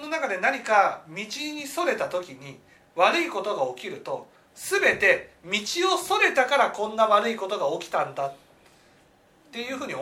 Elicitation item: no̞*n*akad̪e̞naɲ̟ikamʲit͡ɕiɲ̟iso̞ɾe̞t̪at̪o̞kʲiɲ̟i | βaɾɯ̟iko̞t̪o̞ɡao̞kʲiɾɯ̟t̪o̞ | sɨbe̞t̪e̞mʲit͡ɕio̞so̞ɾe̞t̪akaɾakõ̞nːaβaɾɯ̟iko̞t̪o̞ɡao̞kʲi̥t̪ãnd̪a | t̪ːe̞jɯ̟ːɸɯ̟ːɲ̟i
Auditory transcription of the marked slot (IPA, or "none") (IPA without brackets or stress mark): n